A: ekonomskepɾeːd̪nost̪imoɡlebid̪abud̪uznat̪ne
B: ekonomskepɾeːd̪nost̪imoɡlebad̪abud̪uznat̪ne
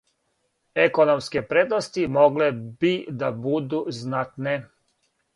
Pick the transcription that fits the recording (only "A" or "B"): A